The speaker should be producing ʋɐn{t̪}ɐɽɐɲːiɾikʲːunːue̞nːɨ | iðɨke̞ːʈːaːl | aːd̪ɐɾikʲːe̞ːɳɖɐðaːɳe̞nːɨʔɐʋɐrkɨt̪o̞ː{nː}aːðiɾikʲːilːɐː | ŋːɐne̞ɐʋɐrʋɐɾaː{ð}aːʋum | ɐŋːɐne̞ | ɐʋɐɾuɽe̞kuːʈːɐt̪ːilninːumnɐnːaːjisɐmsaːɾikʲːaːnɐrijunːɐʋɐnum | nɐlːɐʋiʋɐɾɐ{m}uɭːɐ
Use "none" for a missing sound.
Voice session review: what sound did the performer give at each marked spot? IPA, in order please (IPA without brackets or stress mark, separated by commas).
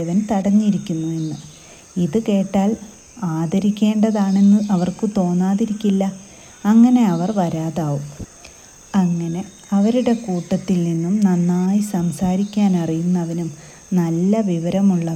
t̪, nː, ð, m